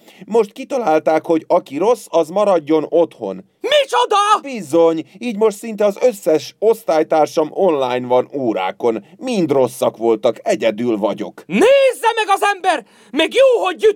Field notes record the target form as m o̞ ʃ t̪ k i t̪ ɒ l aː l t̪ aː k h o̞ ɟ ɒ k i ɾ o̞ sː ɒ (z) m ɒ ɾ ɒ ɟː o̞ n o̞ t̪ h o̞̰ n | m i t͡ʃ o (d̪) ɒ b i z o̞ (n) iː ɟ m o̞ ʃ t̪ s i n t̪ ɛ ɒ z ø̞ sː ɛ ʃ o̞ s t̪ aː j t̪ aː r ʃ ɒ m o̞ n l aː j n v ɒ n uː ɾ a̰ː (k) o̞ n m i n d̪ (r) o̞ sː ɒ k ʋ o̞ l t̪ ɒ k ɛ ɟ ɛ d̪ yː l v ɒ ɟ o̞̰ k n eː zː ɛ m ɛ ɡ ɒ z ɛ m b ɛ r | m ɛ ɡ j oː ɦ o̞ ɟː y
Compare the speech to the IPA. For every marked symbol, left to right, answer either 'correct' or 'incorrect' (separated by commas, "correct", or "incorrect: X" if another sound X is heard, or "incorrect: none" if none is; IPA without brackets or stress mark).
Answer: correct, correct, incorrect: ɲ, correct, correct